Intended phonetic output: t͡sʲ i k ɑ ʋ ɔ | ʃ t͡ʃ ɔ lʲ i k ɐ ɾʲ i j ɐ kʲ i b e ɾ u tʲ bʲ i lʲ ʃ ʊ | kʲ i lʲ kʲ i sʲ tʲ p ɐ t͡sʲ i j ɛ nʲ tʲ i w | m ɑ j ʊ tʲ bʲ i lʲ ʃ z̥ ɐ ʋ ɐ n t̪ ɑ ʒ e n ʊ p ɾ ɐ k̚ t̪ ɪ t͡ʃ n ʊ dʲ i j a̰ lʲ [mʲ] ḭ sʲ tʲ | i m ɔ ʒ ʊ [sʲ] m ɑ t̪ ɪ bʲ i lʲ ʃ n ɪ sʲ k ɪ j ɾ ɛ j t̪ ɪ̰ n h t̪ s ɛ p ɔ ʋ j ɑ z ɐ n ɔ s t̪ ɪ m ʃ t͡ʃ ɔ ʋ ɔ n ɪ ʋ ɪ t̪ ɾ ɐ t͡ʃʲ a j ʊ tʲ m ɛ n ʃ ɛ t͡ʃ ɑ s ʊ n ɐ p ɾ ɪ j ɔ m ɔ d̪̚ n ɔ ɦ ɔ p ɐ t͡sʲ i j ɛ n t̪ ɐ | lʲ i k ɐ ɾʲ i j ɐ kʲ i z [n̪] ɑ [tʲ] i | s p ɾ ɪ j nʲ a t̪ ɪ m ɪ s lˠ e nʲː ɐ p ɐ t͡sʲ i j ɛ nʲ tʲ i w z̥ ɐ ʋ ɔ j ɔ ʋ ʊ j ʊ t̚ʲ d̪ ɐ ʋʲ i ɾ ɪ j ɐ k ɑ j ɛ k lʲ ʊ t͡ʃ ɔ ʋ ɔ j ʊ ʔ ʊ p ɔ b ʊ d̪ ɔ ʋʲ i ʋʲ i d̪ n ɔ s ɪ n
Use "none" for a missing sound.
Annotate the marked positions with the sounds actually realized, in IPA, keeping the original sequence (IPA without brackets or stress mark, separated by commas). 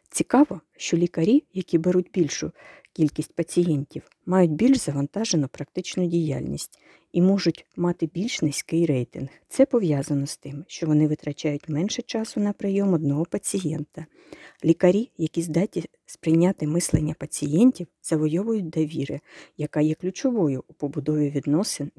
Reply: nʲ, tʲ, d̪, tʲ